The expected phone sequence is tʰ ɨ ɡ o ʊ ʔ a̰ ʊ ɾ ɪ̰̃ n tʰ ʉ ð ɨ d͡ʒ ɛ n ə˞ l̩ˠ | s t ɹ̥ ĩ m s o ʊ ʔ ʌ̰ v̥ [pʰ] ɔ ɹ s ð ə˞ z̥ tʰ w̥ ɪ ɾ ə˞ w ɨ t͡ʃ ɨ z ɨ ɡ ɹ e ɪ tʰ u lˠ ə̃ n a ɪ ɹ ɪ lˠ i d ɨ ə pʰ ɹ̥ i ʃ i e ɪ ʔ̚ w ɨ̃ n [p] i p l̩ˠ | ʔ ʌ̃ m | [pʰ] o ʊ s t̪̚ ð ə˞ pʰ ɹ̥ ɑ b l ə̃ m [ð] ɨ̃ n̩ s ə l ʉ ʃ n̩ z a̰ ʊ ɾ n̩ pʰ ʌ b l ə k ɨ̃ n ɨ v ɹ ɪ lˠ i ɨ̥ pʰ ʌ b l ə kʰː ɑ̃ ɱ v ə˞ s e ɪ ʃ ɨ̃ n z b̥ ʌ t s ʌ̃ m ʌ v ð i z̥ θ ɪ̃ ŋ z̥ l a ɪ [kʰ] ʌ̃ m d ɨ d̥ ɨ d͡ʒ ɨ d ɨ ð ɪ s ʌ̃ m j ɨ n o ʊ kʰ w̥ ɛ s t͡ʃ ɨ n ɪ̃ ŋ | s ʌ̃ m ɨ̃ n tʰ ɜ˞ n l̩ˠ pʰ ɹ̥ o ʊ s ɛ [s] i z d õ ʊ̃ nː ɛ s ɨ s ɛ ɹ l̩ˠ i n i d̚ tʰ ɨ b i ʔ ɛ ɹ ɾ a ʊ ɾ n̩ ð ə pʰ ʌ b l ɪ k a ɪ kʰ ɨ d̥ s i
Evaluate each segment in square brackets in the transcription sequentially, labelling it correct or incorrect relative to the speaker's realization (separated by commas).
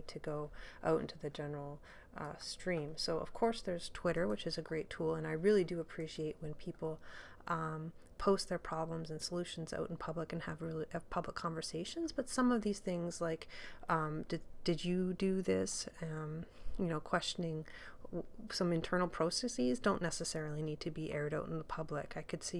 incorrect, incorrect, correct, incorrect, incorrect, correct